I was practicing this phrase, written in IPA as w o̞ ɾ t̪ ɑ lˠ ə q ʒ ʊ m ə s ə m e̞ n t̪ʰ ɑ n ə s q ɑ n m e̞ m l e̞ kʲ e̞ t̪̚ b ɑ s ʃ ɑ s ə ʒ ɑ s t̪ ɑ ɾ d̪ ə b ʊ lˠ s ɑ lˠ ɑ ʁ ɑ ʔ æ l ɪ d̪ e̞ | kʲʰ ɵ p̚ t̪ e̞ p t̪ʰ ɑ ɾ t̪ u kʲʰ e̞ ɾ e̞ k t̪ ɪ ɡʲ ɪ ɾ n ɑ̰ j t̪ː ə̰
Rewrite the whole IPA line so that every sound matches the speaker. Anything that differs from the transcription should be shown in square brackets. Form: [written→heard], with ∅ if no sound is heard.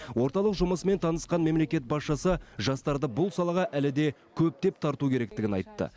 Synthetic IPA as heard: w o̞ ɾ t̪ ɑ lˠ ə q ʒ ʊ m ə s ə m e̞ n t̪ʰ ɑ n ə s q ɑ n m e̞ m l e̞ kʲ e̞ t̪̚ b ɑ s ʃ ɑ s ə ʒ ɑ s t̪ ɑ ɾ d̪ ə b ʊ lˠ s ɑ lˠ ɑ ʁ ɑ ʔ æ l ɪ d̪ e̞ | kʲʰ ɵ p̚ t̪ e̞ p t̪ʰ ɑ ɾ t̪ u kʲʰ e̞ ɾ e̞ k t̪ ɪ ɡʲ ɪ [ɾ→∅] n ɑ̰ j t̪ː ə̰